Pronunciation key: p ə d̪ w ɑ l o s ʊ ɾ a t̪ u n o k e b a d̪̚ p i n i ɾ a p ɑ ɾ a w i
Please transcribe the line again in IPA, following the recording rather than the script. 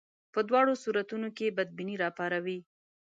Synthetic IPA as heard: p ə d̪ w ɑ ɽ o s u ɾ a t̪ u n o k e b a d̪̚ b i n i ɾ ɑ p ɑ ɾ a w i